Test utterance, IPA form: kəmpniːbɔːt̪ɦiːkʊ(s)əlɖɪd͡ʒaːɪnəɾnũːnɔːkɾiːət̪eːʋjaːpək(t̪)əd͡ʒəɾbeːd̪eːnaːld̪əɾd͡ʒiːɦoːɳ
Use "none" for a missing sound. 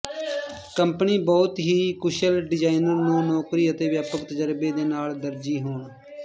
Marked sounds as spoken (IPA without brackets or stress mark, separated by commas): ʃ, t̪